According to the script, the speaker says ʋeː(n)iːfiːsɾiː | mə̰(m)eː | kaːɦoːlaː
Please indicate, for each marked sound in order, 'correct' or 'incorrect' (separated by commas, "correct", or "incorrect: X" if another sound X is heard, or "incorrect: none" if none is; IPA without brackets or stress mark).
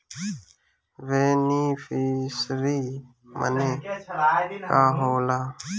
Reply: correct, incorrect: n